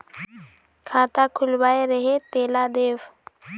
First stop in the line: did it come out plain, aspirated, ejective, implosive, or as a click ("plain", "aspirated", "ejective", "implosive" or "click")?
aspirated